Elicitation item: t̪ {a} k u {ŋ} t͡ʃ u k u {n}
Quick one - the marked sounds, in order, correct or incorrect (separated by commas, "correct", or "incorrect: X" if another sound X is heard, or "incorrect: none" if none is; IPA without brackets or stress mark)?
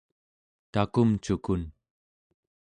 correct, incorrect: m, correct